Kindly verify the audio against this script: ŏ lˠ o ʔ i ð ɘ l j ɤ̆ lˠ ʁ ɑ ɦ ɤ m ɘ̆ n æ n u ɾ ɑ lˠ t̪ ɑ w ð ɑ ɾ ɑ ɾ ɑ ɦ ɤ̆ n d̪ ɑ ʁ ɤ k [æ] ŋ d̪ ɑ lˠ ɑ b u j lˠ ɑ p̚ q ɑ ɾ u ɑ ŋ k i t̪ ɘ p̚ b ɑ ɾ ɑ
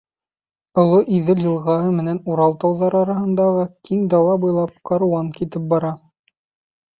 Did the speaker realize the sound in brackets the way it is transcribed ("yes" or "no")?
no